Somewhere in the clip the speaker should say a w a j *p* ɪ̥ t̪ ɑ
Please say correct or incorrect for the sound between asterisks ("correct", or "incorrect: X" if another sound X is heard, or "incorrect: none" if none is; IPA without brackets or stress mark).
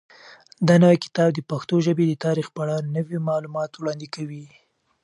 incorrect: k